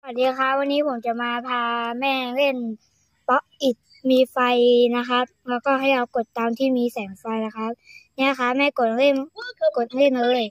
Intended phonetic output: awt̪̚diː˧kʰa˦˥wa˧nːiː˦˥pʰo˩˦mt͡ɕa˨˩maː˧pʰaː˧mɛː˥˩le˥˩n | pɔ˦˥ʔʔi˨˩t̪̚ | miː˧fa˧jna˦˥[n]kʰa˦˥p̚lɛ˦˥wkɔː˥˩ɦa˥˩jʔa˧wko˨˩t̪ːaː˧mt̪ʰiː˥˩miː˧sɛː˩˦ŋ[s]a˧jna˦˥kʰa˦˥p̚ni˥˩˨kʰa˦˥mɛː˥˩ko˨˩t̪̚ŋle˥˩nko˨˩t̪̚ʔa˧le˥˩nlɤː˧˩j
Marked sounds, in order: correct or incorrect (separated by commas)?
incorrect, incorrect